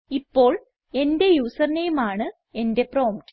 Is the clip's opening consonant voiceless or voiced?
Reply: voiceless